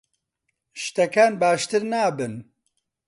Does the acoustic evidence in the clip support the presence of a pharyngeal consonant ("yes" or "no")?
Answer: no